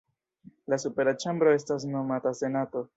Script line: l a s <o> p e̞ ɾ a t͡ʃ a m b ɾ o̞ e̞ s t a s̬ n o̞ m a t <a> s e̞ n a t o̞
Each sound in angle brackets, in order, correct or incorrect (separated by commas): incorrect, correct